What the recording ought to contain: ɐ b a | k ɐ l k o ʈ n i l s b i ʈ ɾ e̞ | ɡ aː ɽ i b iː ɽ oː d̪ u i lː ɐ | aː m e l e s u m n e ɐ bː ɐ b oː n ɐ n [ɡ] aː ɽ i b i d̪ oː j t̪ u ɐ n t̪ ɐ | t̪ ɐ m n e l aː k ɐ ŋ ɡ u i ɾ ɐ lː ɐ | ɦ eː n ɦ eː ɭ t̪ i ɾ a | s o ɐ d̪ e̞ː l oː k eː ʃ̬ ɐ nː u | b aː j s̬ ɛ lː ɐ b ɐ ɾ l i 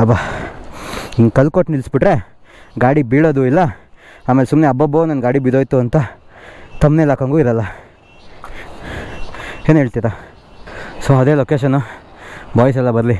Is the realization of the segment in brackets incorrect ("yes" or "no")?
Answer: no